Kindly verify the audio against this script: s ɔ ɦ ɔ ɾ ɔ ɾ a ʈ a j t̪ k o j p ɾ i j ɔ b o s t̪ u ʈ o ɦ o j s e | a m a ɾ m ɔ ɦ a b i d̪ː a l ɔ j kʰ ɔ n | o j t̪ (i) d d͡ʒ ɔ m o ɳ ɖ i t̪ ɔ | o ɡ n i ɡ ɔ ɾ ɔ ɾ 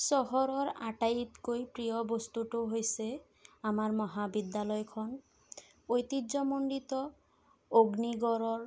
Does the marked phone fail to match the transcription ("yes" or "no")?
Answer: no